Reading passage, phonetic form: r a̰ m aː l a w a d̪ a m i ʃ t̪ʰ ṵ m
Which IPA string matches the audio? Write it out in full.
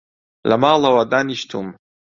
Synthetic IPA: l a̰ m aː l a w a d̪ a n i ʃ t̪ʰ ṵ m